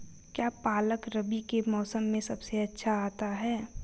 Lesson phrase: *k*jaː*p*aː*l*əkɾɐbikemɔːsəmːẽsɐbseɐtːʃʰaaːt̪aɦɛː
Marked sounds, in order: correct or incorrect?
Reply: correct, correct, correct

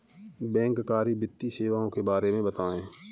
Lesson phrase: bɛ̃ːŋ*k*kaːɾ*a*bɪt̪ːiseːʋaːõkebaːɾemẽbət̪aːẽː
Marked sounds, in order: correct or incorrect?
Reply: correct, incorrect: i

